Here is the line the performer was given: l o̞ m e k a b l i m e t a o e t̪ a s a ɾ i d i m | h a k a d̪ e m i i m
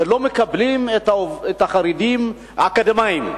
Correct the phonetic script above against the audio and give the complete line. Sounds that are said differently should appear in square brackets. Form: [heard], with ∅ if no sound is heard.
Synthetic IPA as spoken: l o̞ m e k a b l i m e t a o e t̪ a [χ] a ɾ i d i m | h a k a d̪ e m [a] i m